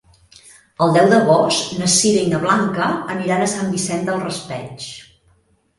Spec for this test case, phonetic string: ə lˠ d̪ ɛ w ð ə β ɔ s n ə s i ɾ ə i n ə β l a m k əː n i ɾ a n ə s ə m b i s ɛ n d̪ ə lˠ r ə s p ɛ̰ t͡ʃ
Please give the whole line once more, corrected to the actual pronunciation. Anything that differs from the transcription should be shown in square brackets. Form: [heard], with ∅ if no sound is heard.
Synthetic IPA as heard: ə lˠ d̪ ɛ w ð ə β ɔ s n ə s i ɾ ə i n ə β l a [ŋ] k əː n i ɾ a n ə s [a] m b i s ɛ n d̪ ə lˠ r ə s p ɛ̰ t͡ʃ